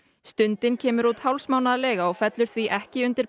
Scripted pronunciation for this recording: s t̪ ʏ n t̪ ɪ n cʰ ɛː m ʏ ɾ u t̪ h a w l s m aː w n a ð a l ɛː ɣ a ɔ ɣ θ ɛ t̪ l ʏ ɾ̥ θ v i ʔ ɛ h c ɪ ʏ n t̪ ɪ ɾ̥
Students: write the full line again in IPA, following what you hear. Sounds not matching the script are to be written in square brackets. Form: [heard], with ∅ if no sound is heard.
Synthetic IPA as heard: s t̪ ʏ n t̪ ɪ n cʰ ɛː m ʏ ɾ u t̪ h a w l s m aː w n a ð a l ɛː ɣ a ɔ ɣ [f] ɛ t̪ l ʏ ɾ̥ θ v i ʔ ɛ h c ɪ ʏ n t̪ ɪ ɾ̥